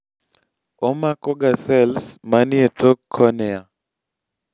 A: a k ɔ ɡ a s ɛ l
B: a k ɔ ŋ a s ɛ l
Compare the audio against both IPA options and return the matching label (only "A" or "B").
A